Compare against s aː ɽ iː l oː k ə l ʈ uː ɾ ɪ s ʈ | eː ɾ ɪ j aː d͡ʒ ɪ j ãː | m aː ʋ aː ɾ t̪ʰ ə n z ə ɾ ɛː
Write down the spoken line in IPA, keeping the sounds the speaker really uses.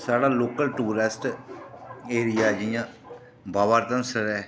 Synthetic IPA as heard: s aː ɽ aː l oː k ə l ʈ uː ɾ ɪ s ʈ | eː ɾ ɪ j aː d͡ʒ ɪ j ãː | b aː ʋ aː ɾ t̪ ə n s ə ɾ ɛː

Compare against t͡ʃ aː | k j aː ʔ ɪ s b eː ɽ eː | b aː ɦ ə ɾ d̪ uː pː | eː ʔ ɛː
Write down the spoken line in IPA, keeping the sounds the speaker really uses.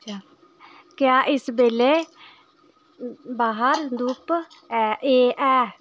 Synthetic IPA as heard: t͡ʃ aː | k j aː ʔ ɪ s b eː l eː | b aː ɦ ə ɾ d̪ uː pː | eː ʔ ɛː

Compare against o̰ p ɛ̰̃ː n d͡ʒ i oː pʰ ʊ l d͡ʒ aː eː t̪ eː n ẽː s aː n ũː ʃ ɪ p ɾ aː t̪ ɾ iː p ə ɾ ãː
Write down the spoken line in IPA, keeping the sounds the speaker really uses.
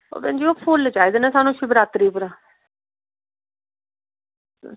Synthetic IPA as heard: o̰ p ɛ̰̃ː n d͡ʒ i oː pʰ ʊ l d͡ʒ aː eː d̪ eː n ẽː s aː n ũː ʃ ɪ b ɾ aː t̪ ɾ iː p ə ɾ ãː

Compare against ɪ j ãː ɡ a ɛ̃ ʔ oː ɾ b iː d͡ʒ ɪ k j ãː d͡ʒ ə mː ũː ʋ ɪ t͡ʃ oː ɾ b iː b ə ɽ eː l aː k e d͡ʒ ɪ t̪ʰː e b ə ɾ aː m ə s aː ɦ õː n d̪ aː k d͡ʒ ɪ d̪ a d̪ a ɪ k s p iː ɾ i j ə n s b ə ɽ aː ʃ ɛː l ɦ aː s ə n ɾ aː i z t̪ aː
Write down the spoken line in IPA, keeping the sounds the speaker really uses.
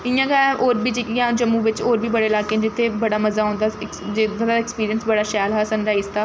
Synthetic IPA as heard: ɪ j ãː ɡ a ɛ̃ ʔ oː ɾ b iː d͡ʒ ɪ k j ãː d͡ʒ ə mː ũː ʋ ɪ t͡ʃ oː ɾ b iː b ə ɽ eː l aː k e d͡ʒ ɪ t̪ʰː e b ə ɽ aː m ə z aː ɦ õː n d̪ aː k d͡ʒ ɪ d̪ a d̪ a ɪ k s p iː ɾ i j ə n s b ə ɽ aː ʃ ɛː l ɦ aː s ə n ɾ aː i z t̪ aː

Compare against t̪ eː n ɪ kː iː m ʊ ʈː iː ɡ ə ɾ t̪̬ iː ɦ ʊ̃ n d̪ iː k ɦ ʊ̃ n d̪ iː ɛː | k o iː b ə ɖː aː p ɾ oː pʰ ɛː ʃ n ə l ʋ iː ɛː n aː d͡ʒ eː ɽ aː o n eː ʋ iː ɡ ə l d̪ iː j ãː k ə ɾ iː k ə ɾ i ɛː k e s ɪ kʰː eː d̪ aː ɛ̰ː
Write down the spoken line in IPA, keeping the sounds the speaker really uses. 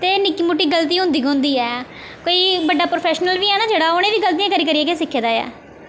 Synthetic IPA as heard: t̪ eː n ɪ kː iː m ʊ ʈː iː ɡ ə l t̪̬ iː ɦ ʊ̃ n d̪ iː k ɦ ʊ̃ n d̪ iː ɛː | k o iː b ə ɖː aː p ɾ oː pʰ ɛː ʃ n ə l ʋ iː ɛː n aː d͡ʒ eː ɽ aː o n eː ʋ iː ɡ ə l t̪ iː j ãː k ə ɾ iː k ə ɾ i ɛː k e s ɪ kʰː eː d̪ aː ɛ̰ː

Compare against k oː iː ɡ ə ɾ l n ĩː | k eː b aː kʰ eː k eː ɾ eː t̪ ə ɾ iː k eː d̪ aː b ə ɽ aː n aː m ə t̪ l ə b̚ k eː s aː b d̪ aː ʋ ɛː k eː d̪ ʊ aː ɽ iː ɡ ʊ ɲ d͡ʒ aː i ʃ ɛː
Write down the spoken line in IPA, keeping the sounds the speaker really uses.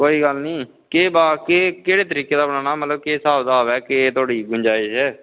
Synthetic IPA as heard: k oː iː ɡ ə l n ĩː | k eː b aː k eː k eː ɽ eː t̪ ə ɾ iː k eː d̪ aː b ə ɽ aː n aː m ə t̪ l ə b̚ k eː s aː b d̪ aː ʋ ɛː k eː t̪ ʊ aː ɽ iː ɡ ʊ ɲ d͡ʒ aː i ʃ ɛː

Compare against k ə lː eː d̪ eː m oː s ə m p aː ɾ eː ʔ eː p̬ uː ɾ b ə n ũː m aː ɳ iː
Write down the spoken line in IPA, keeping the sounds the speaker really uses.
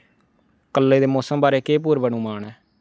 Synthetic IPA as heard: k ə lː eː d̪ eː m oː s ə m b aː ɾ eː k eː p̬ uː ɾ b ə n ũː m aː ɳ ɛː

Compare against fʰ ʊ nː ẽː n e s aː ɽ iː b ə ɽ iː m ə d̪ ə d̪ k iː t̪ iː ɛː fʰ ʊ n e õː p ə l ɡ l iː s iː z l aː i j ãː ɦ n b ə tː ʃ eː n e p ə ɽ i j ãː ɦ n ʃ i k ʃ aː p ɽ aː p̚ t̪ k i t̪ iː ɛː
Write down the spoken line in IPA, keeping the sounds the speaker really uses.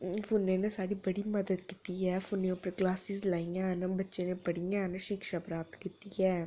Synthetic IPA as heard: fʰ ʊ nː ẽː n e s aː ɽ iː b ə ɽ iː m ə d̪ ə d̪ k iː t̪ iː ɛː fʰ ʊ n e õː p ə ɾ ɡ l aː s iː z l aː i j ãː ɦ n b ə tː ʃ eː n e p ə ɽ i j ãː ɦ n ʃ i k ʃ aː p ɾ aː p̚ t̪ k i t̪ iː ɛː

